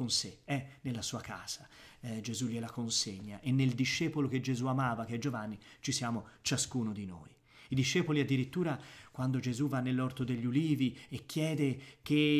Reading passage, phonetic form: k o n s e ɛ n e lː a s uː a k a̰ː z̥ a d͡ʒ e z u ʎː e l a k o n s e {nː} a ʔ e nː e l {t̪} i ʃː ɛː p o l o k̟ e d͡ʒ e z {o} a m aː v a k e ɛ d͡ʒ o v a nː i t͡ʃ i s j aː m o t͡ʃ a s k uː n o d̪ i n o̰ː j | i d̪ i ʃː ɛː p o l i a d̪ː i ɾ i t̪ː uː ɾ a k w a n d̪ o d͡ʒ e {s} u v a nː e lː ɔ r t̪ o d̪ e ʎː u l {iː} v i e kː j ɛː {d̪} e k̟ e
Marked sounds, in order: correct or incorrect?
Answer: incorrect, incorrect, incorrect, incorrect, correct, correct

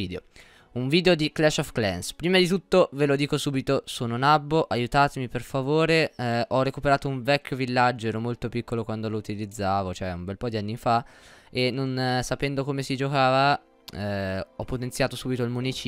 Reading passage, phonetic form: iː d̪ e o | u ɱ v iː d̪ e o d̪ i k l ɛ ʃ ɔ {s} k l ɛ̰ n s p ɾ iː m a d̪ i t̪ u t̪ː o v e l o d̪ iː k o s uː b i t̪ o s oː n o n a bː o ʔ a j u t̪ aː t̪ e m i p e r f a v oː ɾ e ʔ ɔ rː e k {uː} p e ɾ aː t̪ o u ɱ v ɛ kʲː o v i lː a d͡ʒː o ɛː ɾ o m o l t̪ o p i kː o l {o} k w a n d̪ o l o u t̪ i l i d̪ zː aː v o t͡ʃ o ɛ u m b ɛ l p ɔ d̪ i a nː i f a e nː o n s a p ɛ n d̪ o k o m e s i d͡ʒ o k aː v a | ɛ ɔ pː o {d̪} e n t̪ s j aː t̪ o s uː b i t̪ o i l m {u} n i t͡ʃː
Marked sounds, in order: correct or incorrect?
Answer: incorrect, incorrect, correct, incorrect, correct

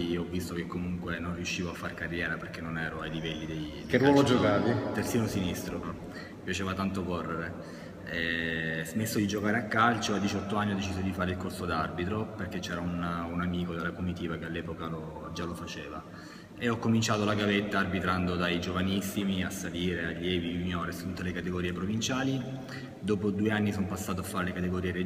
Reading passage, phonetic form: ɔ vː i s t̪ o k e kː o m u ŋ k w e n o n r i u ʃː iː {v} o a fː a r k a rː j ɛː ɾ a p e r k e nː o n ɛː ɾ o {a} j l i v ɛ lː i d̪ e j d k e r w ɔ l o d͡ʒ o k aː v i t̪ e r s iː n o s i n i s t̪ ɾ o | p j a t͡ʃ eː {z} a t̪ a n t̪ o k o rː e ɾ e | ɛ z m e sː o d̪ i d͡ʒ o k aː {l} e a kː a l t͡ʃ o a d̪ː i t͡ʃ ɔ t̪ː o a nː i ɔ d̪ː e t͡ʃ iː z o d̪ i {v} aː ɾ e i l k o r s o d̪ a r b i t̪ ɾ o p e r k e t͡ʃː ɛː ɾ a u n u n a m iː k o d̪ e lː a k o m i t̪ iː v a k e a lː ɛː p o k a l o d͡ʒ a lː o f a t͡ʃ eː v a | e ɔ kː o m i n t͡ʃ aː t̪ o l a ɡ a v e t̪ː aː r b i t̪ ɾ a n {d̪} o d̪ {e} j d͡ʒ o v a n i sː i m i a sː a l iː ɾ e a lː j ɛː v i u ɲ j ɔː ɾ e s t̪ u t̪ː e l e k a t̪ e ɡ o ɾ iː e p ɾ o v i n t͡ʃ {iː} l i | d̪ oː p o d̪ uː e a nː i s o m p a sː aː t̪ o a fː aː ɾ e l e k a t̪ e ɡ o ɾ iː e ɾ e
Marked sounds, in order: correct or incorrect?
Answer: correct, correct, incorrect, incorrect, incorrect, correct, incorrect, incorrect

